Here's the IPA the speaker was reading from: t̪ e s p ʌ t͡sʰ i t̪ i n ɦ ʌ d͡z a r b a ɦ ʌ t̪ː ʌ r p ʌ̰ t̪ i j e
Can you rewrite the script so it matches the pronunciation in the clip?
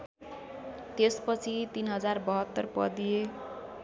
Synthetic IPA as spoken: t̪ e s p ʌ t͡sʰ i t̪ i n ɦ ʌ d͡z a r b ʌ ɦ ʌ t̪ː ʌ r p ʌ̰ d̪ i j e